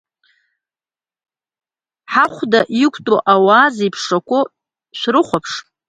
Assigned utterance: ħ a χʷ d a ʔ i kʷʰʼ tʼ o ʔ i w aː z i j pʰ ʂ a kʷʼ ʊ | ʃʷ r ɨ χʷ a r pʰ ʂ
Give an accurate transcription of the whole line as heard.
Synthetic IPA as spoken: ħ a χʷ d a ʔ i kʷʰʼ tʼ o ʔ a w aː z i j pʰ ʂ a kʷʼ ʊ | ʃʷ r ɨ χʷ a pʰ ʂ